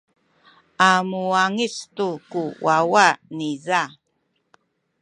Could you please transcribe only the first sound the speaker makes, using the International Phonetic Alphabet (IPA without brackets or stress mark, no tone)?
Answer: a